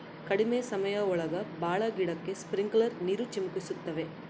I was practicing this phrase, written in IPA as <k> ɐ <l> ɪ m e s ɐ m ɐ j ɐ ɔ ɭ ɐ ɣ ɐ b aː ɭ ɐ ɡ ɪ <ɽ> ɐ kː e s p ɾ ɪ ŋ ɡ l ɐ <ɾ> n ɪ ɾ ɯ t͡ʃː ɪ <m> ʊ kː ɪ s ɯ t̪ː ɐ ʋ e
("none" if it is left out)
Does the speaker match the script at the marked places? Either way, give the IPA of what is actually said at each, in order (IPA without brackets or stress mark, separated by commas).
k, ɽ, ɽ, ɾ, m